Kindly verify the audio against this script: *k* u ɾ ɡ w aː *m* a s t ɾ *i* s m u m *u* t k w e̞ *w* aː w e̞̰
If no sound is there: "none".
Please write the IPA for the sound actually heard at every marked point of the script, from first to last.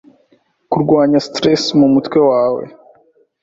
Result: k, ɲ, e, u, w

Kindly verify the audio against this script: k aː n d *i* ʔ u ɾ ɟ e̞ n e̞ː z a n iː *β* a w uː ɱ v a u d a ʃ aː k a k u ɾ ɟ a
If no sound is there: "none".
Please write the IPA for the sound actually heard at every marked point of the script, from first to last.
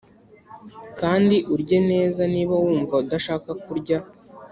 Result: i, β

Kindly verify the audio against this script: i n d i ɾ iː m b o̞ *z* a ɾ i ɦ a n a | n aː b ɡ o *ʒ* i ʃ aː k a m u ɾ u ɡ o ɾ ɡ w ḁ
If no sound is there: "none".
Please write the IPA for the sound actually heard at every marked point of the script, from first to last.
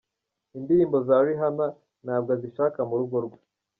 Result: z, z

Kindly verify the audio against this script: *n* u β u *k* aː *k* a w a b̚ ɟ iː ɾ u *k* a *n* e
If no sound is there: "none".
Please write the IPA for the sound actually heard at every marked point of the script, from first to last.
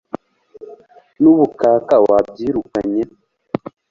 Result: n, k, k, k, ɲ

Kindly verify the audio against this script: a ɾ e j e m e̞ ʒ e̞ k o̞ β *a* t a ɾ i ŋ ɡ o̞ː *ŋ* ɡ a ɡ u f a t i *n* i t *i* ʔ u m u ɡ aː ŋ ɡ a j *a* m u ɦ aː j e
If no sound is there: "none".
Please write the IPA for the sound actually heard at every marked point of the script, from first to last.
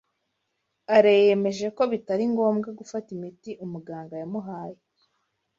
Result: i, m, m, i, a

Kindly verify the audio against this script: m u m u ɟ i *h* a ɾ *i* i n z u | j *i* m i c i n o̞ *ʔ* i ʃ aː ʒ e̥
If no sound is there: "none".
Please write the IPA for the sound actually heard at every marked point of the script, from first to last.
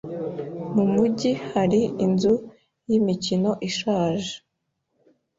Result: h, i, i, ʔ

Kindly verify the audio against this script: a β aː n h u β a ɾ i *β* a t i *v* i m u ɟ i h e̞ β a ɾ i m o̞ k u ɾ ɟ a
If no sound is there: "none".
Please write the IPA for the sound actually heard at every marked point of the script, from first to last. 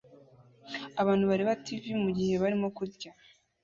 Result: β, v

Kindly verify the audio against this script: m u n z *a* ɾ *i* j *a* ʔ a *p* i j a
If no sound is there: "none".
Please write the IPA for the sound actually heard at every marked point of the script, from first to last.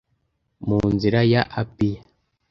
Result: i, a, a, p

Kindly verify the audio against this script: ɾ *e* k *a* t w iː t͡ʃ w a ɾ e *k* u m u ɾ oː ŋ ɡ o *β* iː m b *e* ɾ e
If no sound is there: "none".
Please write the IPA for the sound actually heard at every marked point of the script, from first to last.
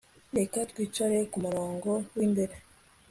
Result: e, a, k, w, e

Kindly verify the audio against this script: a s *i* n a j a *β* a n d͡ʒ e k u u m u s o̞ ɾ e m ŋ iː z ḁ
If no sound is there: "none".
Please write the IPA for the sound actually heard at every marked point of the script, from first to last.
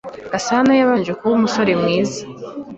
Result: a, β

